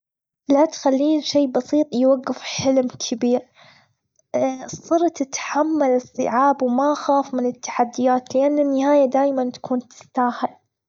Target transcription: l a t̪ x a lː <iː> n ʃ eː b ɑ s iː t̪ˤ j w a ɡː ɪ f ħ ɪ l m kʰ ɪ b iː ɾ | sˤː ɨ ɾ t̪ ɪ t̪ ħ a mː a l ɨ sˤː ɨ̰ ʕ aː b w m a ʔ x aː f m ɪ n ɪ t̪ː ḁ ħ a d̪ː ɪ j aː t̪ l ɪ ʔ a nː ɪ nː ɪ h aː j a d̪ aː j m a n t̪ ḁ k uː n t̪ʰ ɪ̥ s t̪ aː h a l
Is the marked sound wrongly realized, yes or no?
no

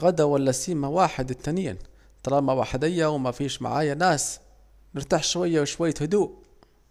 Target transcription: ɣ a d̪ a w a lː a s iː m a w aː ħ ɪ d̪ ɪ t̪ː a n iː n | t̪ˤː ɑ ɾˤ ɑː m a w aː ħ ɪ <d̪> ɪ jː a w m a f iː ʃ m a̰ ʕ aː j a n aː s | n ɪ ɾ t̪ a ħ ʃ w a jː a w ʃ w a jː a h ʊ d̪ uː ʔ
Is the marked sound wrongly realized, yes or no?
no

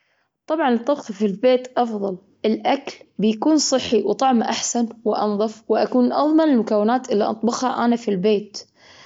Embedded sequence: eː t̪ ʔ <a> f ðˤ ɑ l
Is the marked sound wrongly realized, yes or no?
yes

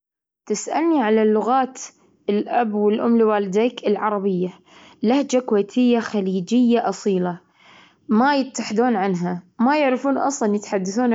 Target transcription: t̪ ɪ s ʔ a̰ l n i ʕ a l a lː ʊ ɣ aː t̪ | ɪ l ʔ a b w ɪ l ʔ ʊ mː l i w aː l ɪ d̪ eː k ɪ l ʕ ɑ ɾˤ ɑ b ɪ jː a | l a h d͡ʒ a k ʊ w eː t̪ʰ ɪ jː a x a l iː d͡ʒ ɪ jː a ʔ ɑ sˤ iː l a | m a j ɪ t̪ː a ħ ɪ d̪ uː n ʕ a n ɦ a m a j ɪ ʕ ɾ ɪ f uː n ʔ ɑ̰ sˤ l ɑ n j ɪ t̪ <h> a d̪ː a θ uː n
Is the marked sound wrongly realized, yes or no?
yes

